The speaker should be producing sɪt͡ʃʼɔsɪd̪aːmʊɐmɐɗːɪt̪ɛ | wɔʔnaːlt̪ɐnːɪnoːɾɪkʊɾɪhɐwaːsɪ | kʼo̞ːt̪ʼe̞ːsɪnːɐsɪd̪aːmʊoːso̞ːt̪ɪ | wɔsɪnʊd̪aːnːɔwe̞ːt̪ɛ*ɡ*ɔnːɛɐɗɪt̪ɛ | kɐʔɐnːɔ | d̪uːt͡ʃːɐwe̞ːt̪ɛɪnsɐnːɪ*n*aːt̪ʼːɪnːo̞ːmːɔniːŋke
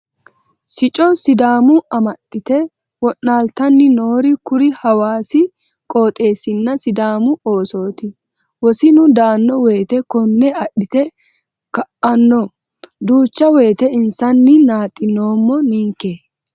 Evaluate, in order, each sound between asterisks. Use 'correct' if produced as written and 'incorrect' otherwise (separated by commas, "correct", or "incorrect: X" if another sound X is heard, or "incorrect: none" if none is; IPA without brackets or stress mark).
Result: incorrect: k, correct